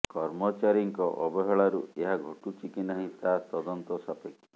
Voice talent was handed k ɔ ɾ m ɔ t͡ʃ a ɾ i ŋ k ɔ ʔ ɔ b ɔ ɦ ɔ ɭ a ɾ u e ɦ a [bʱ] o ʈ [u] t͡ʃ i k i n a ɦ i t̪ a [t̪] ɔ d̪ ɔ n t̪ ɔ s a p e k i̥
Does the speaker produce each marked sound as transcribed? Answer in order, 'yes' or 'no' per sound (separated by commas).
no, yes, yes